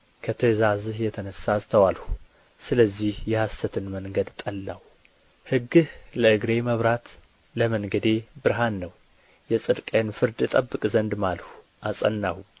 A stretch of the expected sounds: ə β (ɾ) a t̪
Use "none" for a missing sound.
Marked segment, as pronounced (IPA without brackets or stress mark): ɾ